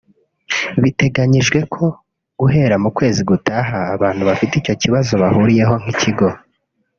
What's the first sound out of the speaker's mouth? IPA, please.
β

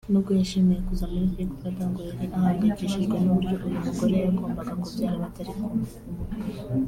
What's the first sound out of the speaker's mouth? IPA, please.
n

